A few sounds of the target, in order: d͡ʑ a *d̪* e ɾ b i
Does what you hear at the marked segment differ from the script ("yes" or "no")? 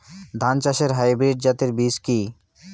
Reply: yes